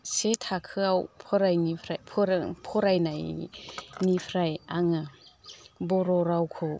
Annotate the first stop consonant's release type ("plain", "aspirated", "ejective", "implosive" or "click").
aspirated